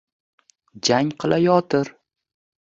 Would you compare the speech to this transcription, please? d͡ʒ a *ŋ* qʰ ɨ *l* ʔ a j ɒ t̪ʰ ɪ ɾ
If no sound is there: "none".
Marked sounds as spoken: ŋ, l

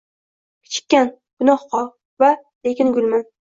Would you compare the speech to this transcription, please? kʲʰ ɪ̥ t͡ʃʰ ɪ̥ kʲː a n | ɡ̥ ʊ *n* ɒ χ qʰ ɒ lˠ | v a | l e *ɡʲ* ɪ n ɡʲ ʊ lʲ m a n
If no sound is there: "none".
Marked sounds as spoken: n, kʲ

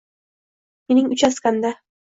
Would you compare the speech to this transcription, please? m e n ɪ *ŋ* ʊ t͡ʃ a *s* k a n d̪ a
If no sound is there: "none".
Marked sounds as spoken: ŋ, s

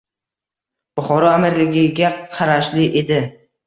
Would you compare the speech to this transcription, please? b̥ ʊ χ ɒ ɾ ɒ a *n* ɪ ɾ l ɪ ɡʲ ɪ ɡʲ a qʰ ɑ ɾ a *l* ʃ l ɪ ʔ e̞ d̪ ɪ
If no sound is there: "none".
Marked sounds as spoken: m, none

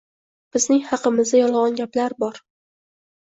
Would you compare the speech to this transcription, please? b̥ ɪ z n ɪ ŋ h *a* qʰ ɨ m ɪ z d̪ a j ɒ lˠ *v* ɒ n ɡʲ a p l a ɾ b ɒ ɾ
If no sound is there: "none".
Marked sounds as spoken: ɑ, ʁ

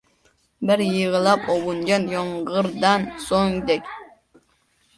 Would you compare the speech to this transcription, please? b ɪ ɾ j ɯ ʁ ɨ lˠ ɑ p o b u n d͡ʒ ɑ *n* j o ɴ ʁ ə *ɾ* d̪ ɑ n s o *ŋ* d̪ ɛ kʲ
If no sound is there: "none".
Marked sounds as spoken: n, ɾ, ŋ

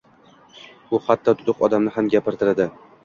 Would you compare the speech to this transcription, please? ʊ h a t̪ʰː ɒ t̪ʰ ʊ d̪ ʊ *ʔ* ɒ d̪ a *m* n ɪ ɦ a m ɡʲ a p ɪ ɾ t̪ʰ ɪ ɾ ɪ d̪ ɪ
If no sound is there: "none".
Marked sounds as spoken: q, m

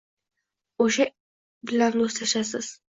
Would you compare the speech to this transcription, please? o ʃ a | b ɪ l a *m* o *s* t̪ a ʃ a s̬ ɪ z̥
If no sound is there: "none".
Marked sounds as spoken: n, s

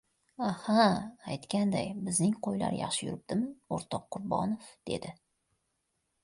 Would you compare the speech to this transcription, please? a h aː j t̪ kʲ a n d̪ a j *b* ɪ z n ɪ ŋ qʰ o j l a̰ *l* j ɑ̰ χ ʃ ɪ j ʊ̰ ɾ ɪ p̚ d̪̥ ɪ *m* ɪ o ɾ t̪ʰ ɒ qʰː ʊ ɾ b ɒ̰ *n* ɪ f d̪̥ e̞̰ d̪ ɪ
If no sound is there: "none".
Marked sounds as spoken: b, ɾ, m, n

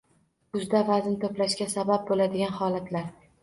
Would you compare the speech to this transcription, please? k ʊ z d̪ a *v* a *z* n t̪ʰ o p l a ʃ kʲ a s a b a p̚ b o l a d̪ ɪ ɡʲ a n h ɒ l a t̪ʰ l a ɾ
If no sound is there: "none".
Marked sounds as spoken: v, z

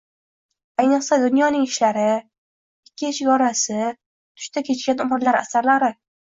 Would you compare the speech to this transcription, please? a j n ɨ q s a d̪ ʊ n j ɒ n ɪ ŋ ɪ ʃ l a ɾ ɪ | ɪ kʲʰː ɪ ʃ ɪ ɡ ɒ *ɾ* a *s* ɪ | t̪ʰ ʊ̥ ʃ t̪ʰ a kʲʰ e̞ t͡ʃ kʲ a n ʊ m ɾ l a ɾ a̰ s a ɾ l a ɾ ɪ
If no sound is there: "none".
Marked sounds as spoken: ɾ, s

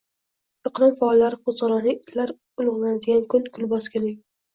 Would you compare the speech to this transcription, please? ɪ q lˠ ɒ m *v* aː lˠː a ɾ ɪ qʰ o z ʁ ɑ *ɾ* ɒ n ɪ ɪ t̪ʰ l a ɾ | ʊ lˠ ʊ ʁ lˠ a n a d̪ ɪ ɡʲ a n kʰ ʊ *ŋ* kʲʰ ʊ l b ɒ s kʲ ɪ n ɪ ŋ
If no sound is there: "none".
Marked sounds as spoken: f, ɾ, n

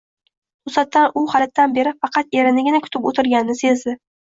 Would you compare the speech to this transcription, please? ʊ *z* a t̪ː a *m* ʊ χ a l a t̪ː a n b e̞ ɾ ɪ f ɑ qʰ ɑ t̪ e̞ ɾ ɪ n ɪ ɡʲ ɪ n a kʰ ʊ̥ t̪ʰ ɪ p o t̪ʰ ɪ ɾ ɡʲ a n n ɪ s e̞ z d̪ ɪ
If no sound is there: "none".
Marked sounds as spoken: s, n

